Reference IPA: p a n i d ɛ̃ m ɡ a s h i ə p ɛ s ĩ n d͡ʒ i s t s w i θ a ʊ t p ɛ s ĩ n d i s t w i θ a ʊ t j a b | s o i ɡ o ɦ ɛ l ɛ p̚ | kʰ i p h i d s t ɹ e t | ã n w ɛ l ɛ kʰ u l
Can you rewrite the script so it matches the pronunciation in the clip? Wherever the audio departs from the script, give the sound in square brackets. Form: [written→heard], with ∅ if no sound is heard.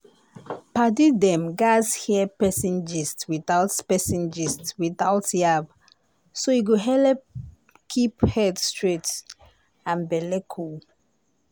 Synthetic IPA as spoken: p a [n→d] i d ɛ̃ m ɡ a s h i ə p ɛ s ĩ n d͡ʒ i s t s w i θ a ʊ t p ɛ s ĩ n [d→d͡ʒ] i s t w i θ a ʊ t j a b | s o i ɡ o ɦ ɛ l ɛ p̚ | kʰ i p h [i→ɛ] d s t ɹ e t | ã n [w→b] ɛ l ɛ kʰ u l